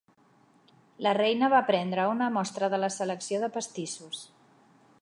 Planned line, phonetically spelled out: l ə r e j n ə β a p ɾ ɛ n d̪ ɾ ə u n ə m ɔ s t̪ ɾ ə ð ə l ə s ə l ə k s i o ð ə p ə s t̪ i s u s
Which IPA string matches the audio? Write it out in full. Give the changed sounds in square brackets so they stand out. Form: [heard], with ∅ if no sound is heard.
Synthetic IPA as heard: l ə r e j n ə β a p ɾ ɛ n d̪ ɾ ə u n ə m ɔ s t̪ ɾ ə ð ə l ə s ə l ə k s i o ð ə p ə s t̪ i s u s